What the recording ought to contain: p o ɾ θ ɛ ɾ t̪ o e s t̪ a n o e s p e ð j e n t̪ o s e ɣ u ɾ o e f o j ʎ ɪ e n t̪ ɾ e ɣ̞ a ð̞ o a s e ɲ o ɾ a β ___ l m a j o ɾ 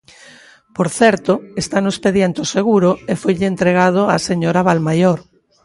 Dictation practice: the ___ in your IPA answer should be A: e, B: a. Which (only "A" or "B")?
B